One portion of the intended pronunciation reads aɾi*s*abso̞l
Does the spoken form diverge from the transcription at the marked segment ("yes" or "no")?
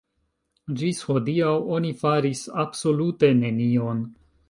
no